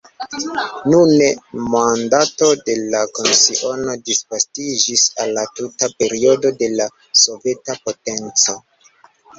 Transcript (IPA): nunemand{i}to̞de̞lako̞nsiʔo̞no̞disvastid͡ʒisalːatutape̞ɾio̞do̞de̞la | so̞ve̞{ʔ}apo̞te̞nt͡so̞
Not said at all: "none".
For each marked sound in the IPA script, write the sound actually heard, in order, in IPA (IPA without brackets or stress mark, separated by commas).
a, t